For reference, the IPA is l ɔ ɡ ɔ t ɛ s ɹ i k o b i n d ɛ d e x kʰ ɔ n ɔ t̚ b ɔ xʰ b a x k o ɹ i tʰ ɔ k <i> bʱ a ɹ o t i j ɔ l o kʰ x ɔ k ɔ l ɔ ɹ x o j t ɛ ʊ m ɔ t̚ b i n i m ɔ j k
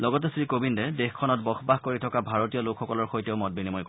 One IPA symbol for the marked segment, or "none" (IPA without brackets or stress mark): a